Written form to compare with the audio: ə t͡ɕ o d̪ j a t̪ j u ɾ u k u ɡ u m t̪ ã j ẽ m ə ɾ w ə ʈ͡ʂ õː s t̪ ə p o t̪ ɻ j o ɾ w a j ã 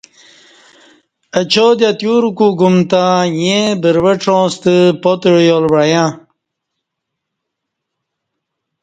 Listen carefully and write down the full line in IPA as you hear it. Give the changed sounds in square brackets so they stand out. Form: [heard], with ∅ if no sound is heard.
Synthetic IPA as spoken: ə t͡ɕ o d̪ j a t̪ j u ɾ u k u ɡ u m t̪ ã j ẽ [b] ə ɾ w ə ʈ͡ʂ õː s t̪ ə p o t̪ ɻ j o [l] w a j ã